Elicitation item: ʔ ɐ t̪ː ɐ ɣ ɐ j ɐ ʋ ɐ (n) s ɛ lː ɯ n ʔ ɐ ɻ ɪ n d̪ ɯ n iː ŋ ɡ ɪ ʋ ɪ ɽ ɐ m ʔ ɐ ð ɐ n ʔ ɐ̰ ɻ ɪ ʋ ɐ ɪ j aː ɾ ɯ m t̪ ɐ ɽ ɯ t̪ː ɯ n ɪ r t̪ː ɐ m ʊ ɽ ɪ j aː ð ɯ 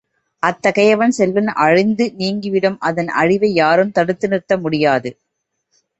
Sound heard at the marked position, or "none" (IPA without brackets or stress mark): n